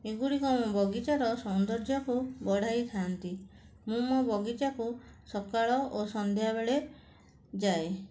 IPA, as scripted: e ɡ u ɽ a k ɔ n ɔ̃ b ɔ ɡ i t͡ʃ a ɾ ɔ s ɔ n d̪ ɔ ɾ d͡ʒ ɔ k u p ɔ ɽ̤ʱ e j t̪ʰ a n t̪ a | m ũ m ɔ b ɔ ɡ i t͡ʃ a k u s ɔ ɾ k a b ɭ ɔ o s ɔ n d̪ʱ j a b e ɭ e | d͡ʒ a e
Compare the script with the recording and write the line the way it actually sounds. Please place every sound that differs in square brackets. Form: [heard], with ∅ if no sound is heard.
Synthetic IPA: e ɡ u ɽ [i] k ɔ [m] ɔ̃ b ɔ ɡ i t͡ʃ a ɾ ɔ s ɔ n d̪ ɔ ɾ d͡ʒ ɔ k u [b] ɔ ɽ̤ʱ [a] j t̪ʰ a n t̪ [i] | m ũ m ɔ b ɔ ɡ i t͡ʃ a k u s ɔ [∅] k a [∅] ɭ ɔ o s ɔ n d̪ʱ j a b e ɭ e | d͡ʒ a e